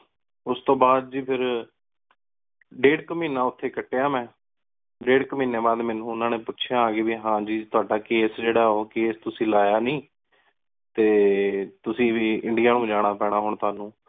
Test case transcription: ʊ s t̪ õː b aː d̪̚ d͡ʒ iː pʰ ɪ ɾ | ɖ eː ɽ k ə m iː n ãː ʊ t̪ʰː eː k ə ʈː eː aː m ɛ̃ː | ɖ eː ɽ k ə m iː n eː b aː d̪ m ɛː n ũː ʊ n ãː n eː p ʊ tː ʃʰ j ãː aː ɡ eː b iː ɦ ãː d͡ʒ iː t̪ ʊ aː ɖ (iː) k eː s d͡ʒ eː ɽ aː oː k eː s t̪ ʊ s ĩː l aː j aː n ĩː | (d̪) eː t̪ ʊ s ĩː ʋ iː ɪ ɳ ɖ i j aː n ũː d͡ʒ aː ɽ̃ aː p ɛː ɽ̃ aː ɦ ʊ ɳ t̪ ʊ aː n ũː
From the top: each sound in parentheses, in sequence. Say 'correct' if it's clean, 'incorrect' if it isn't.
incorrect, incorrect

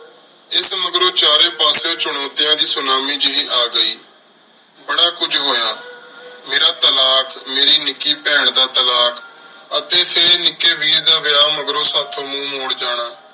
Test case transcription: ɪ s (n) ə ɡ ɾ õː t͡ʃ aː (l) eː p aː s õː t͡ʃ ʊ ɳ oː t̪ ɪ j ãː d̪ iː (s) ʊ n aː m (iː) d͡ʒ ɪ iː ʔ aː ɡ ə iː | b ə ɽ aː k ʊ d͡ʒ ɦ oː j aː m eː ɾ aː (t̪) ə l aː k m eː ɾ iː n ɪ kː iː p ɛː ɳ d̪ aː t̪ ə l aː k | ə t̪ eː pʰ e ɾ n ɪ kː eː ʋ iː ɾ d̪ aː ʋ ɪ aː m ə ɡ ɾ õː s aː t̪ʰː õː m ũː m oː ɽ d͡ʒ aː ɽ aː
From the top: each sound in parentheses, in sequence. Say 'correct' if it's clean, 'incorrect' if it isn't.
incorrect, incorrect, correct, correct, correct

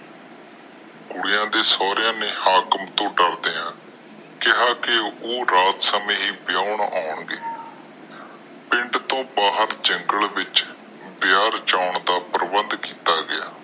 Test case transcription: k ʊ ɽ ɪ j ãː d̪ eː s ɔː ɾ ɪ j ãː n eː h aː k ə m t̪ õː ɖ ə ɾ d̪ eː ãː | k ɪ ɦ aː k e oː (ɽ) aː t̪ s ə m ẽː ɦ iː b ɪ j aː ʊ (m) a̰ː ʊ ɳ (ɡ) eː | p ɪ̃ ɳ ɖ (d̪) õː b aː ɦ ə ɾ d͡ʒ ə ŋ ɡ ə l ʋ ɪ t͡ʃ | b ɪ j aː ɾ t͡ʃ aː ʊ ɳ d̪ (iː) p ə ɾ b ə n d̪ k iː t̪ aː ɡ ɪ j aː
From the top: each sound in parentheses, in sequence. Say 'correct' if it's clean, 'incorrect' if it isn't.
incorrect, incorrect, correct, incorrect, incorrect

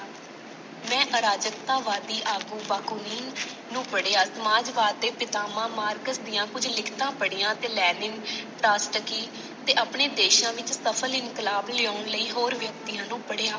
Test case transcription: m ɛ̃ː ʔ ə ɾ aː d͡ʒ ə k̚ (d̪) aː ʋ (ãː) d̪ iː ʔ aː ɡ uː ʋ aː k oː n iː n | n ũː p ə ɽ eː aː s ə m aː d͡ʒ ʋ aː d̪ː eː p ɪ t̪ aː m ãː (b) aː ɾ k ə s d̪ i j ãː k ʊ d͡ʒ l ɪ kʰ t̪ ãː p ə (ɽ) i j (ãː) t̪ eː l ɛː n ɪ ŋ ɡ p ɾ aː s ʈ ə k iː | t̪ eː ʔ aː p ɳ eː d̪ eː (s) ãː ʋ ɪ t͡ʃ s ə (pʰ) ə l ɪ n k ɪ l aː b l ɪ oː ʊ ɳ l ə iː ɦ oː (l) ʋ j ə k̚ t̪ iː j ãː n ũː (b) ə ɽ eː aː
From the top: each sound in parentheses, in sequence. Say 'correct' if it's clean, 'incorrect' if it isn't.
incorrect, incorrect, incorrect, correct, correct, incorrect, correct, incorrect, incorrect

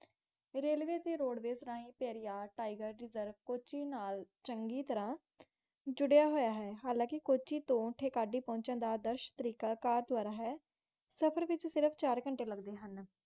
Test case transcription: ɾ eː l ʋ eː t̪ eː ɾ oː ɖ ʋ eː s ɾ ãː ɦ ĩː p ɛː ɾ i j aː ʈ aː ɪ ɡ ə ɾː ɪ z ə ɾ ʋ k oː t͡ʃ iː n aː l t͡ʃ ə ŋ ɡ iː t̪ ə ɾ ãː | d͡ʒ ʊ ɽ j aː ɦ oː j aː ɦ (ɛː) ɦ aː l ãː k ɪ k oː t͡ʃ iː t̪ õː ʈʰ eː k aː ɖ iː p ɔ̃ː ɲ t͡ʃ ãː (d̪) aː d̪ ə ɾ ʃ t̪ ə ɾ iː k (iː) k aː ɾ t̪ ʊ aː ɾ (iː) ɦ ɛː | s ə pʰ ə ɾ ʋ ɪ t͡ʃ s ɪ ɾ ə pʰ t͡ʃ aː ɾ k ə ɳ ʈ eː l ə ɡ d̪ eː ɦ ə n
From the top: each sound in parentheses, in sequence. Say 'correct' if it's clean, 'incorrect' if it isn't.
correct, correct, incorrect, incorrect

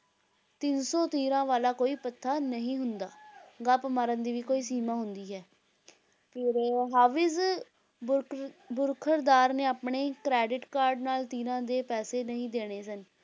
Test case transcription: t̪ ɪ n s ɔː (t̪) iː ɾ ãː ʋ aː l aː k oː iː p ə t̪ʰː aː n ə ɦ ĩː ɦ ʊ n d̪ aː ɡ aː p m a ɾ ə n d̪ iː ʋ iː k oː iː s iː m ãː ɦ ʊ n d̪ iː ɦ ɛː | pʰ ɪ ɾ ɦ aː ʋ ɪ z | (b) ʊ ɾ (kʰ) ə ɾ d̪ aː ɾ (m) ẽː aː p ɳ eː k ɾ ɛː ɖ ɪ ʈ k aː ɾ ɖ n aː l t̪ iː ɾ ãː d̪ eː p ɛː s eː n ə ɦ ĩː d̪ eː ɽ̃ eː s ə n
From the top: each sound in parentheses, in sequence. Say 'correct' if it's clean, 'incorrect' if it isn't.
correct, correct, correct, incorrect

